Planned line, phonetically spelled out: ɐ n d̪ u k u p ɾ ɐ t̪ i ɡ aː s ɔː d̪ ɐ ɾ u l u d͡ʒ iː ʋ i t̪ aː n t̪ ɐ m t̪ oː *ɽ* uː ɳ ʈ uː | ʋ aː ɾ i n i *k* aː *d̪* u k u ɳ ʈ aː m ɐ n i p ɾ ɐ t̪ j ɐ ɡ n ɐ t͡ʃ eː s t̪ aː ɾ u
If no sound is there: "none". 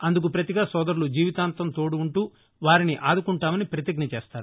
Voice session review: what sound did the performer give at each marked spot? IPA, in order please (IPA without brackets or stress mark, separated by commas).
ɽ, ʔ, d̪